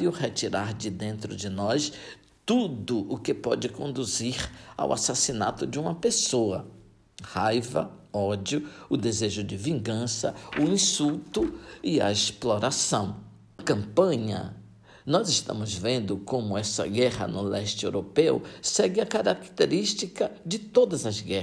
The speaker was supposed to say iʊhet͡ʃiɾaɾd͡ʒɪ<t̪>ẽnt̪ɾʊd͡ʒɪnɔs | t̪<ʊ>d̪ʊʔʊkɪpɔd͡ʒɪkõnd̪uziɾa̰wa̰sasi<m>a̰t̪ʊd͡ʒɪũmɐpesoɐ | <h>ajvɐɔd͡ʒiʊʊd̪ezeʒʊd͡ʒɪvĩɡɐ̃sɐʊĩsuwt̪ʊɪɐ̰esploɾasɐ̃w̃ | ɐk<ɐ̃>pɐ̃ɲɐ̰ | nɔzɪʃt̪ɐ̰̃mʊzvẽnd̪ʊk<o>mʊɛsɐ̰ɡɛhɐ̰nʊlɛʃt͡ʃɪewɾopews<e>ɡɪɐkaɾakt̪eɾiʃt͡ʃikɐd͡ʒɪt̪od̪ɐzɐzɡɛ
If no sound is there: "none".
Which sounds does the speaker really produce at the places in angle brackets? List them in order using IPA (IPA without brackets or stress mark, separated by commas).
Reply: d̪, u, n, h, ɐ̃, õ, ɛ